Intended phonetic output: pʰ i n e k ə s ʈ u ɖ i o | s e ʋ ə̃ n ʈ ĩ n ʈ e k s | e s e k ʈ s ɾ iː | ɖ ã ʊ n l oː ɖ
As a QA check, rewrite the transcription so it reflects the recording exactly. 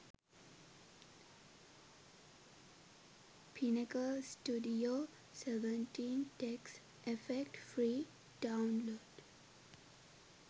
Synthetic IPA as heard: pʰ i n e k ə s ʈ u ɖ i o | s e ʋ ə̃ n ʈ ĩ n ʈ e k s | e f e k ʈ f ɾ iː | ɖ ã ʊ n l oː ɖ